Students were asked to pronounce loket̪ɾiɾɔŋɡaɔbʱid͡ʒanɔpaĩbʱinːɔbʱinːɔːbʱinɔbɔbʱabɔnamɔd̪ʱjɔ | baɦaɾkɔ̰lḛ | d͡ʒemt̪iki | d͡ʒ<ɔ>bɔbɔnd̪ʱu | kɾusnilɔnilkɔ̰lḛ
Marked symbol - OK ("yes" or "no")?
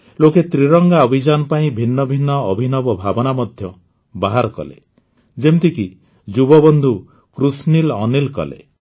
no